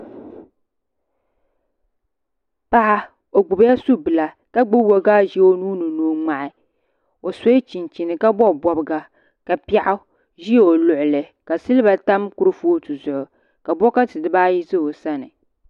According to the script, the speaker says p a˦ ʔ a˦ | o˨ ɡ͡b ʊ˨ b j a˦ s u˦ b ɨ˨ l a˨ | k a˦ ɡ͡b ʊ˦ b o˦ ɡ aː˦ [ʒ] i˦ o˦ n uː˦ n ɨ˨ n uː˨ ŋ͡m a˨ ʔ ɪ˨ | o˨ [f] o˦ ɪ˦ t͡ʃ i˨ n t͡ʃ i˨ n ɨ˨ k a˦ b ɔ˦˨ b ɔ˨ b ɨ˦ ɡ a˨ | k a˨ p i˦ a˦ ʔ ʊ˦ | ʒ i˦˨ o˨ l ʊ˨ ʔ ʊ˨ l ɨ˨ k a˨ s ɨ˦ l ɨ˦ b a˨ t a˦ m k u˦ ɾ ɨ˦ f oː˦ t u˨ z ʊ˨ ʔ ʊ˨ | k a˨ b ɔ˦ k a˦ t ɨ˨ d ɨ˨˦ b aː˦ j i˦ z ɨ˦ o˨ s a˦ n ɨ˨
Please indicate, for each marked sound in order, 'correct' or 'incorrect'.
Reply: correct, incorrect

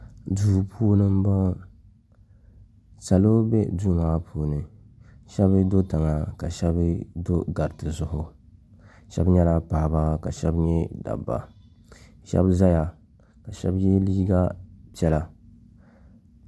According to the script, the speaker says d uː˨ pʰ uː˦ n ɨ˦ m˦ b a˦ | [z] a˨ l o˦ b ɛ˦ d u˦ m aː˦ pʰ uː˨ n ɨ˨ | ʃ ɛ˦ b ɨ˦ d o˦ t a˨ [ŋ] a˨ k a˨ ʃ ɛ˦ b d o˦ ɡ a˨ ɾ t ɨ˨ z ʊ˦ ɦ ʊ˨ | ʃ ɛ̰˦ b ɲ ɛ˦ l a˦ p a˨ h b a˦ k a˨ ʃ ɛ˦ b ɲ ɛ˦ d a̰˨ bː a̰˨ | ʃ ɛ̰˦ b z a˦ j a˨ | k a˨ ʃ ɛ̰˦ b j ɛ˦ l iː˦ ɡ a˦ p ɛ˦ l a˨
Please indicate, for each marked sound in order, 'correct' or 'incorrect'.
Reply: incorrect, correct

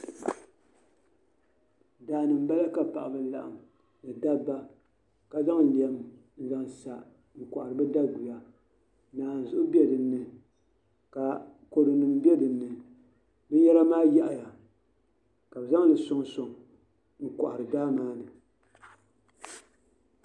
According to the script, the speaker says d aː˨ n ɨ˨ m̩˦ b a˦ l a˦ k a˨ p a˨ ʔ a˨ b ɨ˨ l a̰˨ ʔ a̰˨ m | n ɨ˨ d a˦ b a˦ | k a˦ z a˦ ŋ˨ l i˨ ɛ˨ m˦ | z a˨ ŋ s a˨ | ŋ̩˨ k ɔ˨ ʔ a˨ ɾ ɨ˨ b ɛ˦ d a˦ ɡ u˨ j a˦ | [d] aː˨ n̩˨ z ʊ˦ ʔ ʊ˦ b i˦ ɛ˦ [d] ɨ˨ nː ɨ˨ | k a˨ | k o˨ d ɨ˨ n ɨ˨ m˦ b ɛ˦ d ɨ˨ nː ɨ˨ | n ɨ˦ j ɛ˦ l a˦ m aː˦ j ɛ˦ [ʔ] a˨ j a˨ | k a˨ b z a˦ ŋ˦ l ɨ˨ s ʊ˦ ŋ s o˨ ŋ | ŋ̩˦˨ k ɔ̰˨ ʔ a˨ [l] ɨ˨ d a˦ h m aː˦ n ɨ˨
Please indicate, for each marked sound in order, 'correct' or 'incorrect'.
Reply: incorrect, correct, correct, incorrect

